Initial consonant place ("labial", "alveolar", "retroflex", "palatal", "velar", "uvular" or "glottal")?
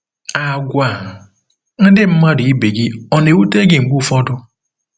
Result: velar